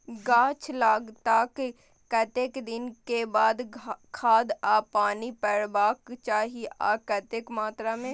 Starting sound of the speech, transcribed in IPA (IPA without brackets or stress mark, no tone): ɡ